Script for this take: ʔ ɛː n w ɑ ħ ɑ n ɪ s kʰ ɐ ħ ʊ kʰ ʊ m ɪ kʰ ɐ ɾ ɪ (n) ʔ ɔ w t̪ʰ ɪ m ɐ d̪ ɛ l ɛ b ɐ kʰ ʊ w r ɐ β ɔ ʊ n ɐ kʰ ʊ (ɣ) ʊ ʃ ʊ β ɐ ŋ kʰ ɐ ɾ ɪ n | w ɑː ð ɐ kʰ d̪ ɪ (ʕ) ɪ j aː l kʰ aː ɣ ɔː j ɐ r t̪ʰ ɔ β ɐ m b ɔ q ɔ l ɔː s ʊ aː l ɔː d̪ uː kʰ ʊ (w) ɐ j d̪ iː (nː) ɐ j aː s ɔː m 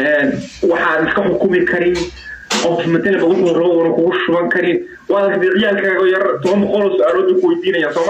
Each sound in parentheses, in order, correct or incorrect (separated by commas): correct, correct, correct, correct, incorrect